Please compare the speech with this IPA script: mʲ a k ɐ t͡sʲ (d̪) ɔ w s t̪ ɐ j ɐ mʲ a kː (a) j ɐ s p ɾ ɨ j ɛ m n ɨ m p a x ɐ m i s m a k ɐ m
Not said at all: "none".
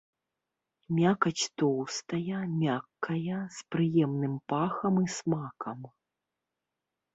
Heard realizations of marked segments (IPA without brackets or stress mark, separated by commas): t̪, ɐ